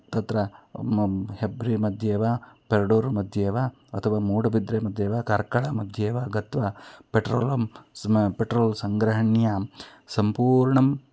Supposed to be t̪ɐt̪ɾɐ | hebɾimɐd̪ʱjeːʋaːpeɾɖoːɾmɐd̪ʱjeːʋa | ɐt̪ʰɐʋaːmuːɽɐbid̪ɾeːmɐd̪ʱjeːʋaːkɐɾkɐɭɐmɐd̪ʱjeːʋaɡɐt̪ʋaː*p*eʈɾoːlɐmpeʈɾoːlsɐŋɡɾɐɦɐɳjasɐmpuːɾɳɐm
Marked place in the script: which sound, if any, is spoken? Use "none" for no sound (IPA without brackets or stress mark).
p